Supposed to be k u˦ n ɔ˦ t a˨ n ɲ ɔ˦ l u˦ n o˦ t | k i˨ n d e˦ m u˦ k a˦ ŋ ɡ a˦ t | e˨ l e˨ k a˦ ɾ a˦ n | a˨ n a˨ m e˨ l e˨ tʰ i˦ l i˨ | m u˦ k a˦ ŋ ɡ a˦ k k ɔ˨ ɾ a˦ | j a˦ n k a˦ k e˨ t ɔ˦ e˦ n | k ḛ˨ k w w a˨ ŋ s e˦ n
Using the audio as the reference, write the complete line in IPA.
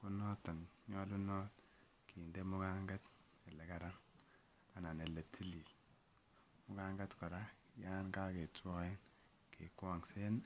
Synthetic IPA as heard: k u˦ n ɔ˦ t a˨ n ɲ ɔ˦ l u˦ n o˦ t | k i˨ n d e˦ m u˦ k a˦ ŋ ɡ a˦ t | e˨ l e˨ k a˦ ɾ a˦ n | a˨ n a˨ n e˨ l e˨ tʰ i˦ l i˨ | m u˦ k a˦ ŋ ɡ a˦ t k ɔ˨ ɾ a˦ | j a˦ n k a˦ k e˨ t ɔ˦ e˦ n | k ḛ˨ k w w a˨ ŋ s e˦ n